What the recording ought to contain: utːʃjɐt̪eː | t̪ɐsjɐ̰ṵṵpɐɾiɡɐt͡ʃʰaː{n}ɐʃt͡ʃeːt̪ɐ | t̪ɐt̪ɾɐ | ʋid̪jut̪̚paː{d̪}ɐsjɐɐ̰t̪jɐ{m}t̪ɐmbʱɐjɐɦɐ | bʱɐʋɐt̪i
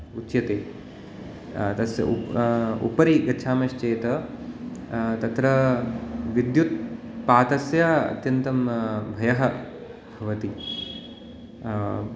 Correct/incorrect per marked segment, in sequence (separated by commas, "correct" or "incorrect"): incorrect, incorrect, incorrect